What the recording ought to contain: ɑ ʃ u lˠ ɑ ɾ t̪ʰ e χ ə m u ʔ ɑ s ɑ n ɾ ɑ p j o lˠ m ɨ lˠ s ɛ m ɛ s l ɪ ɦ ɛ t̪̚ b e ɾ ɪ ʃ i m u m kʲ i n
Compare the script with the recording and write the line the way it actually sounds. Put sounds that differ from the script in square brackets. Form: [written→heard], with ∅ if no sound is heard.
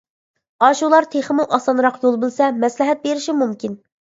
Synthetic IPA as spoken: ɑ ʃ u lˠ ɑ ɾ t̪ʰ e χ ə m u ʔ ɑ s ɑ n ɾ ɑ [p→q] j o lˠ [m→b] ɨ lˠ s ɛ m ɛ s l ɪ ɦ ɛ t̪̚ b e ɾ ɪ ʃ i m u m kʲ i n